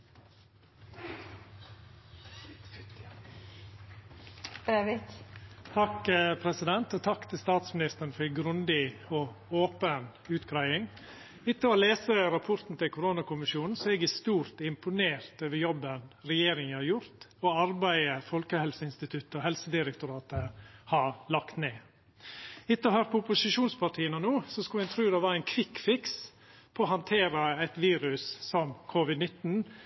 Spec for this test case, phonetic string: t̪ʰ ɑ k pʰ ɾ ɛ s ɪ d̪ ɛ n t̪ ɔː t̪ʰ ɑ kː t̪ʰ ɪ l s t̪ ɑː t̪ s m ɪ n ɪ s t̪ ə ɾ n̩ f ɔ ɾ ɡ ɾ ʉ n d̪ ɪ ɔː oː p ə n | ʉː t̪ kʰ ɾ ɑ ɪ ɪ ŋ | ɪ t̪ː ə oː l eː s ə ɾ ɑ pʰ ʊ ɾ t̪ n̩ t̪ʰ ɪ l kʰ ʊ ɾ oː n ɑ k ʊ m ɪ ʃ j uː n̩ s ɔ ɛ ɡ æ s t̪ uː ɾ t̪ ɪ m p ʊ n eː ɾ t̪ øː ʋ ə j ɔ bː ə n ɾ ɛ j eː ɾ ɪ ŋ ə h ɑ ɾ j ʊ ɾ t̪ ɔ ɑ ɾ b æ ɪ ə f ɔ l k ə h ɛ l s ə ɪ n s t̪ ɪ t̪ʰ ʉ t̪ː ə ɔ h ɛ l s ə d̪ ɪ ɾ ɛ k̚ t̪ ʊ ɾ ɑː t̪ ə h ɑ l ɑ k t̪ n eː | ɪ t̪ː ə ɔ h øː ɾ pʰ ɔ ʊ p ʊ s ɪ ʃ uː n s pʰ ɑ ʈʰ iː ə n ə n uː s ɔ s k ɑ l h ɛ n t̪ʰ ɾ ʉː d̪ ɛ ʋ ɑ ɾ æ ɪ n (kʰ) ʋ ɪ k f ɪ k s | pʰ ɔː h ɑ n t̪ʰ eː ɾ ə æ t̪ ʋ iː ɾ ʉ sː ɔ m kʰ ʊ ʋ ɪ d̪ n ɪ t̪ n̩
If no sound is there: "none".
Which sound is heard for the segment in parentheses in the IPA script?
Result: kʰ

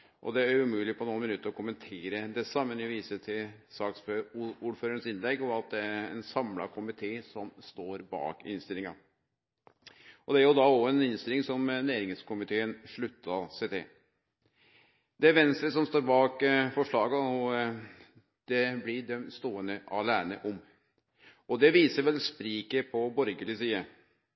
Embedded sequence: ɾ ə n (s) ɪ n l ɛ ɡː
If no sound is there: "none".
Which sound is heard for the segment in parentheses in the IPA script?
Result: s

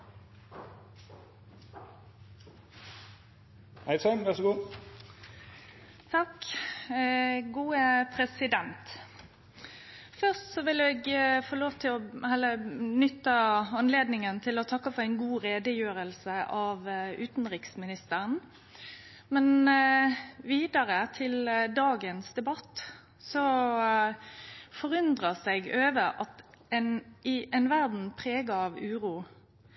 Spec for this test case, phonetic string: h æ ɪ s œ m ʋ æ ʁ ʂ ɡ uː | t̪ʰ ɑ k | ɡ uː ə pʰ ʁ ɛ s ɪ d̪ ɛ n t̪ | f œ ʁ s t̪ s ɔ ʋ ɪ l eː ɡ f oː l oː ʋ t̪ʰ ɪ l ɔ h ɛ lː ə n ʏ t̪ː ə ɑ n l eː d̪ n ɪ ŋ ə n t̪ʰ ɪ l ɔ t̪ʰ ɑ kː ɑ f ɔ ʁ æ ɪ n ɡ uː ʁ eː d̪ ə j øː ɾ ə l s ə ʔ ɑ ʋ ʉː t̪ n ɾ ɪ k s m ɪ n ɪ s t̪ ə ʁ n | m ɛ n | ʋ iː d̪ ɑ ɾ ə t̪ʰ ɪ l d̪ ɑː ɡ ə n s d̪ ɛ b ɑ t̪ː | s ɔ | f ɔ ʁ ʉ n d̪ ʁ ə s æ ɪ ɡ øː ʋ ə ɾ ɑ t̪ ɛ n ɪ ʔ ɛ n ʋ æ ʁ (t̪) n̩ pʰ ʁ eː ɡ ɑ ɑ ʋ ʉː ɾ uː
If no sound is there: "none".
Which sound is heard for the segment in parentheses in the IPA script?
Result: d̪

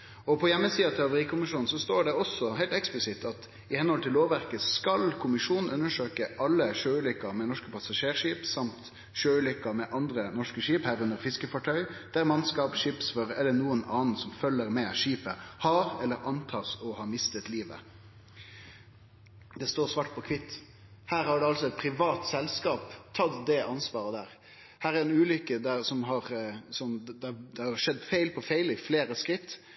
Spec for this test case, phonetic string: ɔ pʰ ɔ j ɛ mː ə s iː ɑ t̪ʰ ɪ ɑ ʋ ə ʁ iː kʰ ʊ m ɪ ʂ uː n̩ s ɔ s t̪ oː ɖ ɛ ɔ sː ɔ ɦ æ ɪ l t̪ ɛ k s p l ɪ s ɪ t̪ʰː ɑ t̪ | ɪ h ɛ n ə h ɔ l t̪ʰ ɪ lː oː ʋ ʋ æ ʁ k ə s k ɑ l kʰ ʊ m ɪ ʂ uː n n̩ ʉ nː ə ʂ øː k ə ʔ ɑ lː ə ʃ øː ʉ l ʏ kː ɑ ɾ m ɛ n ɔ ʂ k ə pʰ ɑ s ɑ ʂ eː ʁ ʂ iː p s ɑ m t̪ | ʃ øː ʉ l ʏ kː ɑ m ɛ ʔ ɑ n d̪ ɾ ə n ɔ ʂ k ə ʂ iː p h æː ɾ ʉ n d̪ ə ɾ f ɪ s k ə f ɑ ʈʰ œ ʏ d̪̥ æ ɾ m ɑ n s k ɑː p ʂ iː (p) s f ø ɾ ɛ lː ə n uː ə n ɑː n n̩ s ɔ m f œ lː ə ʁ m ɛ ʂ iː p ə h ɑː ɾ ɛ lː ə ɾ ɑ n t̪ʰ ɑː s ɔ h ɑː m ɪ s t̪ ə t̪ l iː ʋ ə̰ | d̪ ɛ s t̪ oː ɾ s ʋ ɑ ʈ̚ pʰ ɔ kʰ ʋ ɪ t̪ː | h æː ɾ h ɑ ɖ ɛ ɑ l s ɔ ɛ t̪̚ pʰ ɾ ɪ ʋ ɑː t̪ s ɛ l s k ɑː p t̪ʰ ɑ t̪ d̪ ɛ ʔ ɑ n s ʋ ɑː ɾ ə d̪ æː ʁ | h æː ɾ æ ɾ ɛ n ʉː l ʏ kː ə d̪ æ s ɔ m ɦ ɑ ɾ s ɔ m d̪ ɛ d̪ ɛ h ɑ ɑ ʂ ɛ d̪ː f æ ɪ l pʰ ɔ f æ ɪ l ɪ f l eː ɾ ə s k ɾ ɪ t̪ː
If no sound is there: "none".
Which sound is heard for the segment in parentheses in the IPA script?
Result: p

